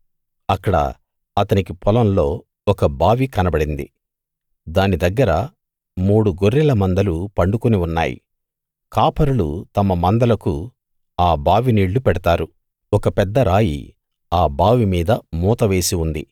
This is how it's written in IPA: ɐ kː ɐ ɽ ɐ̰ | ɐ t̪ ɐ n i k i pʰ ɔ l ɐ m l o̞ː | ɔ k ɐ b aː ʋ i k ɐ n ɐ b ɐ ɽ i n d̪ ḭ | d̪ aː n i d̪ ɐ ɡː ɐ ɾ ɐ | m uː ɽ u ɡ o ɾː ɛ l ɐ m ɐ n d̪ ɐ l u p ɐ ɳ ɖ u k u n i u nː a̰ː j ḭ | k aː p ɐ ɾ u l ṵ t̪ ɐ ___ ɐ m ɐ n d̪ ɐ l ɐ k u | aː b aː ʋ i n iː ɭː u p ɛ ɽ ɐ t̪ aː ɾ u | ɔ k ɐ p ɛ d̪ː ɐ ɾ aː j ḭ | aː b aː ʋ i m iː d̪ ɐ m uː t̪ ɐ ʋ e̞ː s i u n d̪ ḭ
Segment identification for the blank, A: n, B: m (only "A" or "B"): B